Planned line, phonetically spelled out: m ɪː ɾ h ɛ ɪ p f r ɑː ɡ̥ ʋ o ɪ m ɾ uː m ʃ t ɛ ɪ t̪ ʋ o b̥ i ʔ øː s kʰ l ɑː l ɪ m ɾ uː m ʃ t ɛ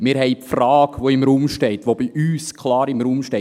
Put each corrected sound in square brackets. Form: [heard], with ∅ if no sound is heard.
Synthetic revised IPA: m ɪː ɾ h ɛ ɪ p f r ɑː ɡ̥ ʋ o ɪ m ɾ uː m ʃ t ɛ ɪ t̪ ʋ o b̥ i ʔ [yː] s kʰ l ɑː [ɾ] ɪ m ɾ uː m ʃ t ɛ